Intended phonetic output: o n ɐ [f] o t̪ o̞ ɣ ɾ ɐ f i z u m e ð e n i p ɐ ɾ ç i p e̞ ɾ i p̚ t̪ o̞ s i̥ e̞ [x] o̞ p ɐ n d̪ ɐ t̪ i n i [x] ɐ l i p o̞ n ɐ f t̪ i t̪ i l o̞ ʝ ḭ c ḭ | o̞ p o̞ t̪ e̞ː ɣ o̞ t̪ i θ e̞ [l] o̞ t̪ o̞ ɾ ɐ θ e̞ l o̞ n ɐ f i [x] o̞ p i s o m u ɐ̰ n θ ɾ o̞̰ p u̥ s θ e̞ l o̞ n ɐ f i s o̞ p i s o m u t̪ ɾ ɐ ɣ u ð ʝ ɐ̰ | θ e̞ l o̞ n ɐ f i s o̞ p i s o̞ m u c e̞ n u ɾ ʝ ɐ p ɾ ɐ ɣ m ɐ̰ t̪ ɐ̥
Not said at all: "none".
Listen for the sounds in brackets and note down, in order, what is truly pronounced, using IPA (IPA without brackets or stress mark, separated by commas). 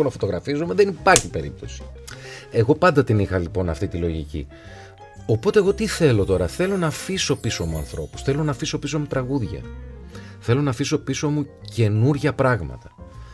f, ɣ, x, l, s